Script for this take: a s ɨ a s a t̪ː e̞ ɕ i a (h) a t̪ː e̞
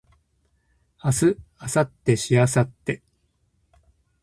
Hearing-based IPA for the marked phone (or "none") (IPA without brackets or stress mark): s